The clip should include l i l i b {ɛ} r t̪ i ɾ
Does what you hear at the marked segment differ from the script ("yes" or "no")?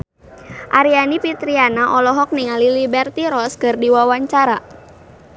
no